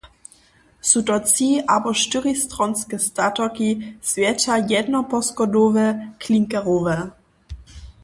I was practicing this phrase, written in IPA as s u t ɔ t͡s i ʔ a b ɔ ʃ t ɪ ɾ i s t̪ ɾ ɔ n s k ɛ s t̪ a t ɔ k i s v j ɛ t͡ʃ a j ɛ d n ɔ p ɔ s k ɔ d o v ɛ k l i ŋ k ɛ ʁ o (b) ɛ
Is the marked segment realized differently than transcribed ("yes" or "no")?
yes